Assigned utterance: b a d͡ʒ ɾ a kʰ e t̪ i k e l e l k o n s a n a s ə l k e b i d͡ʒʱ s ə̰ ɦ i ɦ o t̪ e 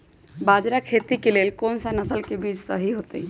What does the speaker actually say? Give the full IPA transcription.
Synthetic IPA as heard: b a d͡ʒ ɾ a kʰ e t̪ i k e l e l k o n s a n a s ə l k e b i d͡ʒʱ s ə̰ ɦ i ɦ o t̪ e